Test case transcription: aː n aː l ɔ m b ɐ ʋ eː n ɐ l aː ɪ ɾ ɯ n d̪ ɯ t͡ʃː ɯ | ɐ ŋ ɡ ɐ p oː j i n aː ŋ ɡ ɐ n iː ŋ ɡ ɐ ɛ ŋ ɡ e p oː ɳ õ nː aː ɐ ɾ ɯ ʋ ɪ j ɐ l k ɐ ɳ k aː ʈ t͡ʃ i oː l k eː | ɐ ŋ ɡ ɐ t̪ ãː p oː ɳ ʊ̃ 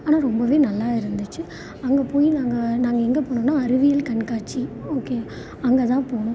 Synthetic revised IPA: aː n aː ɾ ɔ m b ɐ ʋ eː n ɐ lː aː ɪ ɾ ɯ n d̪ ɯ t͡ʃː ɯ | ɐ ŋ ɡ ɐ p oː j i n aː ŋ ɡ ɐ n aː ŋ ɡ ɐ ɛ ŋ ɡ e p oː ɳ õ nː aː ɐ ɾ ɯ ʋ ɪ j ɐ l k ɐ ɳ k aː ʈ t͡ʃ i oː k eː | ɐ ŋ ɡ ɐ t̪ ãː p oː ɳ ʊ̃